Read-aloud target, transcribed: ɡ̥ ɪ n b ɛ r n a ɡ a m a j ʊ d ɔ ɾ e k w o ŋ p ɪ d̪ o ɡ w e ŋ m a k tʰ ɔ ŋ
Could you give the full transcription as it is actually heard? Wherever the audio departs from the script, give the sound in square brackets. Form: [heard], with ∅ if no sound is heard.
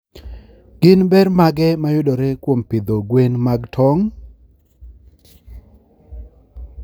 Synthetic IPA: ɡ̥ ɪ n b ɛ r [m] a ɡ [ɛ] m a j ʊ d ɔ ɾ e k w o [m] p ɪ d̪ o ɡ w e [n] m a [ɡ] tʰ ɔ ŋ